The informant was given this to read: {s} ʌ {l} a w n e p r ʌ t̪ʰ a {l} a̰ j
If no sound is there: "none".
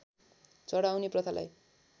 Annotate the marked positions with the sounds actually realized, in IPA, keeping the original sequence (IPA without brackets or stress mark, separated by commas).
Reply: t͡s, ɽ, l